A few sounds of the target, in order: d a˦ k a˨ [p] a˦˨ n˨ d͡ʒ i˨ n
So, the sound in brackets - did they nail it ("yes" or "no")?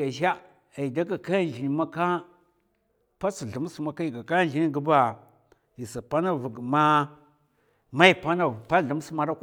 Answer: no